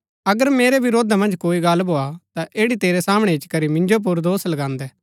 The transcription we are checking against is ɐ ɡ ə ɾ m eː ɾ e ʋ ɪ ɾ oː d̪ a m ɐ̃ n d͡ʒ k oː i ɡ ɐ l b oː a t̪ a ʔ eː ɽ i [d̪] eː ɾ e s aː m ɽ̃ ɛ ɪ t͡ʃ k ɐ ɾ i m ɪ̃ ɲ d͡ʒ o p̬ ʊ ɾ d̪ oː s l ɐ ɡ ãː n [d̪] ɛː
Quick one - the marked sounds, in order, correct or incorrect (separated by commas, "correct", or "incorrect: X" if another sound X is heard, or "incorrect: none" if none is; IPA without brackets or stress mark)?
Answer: incorrect: t̪, correct